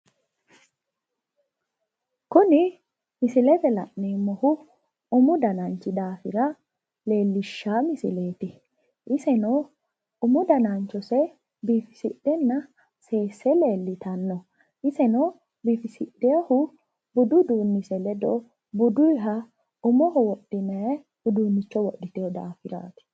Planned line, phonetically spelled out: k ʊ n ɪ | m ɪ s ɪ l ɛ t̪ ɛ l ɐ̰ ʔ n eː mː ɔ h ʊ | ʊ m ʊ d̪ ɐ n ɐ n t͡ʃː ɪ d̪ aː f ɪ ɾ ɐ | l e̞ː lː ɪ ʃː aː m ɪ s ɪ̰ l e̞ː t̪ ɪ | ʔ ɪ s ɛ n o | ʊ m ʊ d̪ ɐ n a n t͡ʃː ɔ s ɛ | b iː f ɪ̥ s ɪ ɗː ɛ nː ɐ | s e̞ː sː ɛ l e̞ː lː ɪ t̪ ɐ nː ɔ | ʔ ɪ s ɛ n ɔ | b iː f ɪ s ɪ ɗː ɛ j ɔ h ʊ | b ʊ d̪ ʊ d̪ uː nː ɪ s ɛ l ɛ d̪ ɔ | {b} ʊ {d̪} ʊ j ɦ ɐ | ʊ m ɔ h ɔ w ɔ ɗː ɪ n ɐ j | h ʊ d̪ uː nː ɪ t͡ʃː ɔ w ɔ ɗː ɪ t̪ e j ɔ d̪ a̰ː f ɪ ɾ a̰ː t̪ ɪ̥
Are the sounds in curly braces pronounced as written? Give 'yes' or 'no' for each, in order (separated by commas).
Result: yes, yes